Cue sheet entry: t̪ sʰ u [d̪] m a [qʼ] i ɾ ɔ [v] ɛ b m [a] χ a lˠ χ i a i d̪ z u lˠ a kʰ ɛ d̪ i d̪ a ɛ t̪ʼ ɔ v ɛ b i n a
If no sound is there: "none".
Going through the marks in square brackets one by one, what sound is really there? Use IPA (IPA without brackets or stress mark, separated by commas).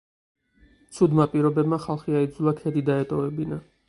d̪, pʼ, b, a